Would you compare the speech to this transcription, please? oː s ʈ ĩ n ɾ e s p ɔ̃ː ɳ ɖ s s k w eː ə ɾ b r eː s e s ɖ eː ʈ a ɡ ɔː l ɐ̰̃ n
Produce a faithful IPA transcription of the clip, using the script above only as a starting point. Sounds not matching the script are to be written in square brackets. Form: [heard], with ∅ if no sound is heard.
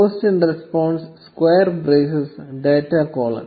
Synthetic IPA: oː s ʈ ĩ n ɾ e s p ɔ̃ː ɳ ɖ s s k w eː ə ɾ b [ɾ] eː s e s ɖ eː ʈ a [k] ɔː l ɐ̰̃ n